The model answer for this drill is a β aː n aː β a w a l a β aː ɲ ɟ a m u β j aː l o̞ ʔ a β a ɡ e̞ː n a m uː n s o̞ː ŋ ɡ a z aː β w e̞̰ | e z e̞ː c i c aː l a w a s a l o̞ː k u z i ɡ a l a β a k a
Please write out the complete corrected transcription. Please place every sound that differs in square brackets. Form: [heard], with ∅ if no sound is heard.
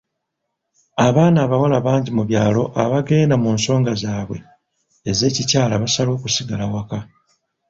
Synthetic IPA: a β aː n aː β a w a l a β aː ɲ ɟ [i] m u β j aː l o̞ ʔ a β a ɡ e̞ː n a m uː n s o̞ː ŋ ɡ a z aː β w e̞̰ | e z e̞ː c i c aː l a [β] a s a l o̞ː k u [s] i ɡ a l a [w] a k a